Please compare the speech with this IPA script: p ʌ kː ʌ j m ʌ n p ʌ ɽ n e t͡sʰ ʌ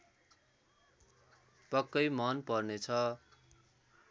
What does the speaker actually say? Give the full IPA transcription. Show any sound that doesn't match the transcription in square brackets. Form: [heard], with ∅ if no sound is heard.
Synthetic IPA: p ʌ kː ʌ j m ʌ n p ʌ [r] n e t͡sʰ ʌ